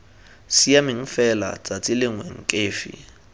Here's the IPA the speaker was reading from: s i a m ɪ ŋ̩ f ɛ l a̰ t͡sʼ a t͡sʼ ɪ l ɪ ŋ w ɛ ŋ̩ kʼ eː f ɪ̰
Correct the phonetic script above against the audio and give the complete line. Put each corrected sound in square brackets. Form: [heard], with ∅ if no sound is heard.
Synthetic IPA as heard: s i a m ɪ ŋ̩ f ɛ l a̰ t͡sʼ a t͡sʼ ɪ l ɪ ŋ w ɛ ŋ̩ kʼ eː f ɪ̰